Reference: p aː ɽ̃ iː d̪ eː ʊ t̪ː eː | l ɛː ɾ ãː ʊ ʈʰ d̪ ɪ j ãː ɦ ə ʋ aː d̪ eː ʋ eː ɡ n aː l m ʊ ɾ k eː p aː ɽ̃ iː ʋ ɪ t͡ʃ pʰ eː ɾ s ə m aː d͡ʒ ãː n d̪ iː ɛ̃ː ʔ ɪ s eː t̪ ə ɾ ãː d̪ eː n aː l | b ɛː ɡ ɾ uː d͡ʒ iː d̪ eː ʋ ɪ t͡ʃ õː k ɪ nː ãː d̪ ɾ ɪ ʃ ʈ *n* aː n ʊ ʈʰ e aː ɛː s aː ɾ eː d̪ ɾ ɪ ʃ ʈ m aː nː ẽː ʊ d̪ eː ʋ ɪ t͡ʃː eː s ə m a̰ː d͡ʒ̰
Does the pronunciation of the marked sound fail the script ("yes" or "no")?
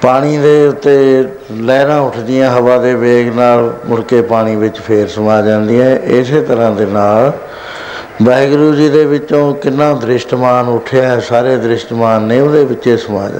yes